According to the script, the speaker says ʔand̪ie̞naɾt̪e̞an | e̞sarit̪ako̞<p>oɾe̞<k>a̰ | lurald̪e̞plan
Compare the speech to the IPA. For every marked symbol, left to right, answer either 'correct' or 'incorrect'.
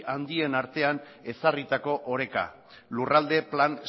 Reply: incorrect: ʔ, correct

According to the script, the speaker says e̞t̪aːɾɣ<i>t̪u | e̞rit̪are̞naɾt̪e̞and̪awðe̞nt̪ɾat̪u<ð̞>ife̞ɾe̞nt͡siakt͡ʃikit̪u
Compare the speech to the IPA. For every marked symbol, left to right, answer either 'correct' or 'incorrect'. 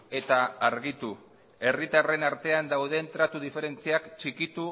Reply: correct, correct

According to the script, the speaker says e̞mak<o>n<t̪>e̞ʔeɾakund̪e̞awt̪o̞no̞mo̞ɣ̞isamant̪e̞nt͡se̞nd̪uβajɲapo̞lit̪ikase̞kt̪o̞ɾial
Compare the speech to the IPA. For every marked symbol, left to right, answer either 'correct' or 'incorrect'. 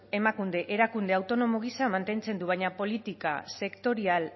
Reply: incorrect: u, incorrect: d̪

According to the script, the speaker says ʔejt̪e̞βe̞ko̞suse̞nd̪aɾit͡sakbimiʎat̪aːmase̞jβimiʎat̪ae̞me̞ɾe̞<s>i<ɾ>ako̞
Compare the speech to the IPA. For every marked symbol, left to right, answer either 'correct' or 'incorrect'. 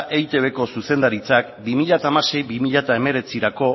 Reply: incorrect: t͡s, correct

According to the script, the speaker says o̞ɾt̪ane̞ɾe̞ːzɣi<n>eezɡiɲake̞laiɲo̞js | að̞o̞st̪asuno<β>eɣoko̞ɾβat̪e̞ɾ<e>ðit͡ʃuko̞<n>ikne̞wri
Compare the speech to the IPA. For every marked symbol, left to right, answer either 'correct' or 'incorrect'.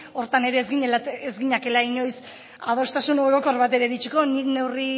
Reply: incorrect: ɲ, incorrect: none, correct, correct

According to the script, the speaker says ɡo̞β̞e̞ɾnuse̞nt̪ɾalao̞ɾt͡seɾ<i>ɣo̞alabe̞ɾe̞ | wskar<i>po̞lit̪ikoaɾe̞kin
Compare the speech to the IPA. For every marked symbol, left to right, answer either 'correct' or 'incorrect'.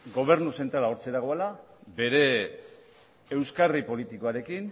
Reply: incorrect: a, correct

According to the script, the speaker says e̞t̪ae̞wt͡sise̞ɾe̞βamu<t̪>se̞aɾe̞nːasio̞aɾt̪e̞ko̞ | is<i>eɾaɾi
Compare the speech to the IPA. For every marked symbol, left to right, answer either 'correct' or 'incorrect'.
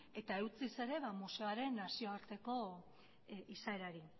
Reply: incorrect: none, incorrect: a

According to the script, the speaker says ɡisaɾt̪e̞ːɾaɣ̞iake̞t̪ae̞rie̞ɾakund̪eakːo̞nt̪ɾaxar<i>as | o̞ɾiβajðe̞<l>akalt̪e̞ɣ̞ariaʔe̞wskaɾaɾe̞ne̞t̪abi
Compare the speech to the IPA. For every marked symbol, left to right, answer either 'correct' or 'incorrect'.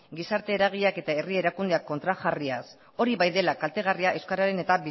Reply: correct, correct

